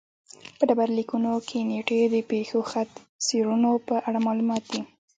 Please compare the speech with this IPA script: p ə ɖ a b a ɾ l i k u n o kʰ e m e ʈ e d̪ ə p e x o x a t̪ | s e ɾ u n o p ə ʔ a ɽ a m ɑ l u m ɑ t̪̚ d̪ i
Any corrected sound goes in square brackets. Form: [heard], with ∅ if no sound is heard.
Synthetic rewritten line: p ə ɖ a b a ɾ l i k u n o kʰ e [n] e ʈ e d̪ ə p e x o x a t̪ | s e ɾ u n o p ə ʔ a ɽ a m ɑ l u m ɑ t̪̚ d̪ i